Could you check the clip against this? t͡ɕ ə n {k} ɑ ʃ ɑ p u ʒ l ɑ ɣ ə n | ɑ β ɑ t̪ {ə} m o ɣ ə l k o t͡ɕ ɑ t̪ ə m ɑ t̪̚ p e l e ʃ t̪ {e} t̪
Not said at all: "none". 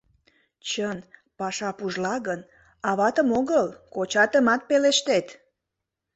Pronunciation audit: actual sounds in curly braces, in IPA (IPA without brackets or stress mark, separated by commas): p, ə, e